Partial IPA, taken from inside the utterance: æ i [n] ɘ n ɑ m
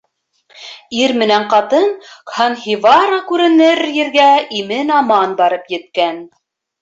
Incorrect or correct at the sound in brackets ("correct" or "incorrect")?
incorrect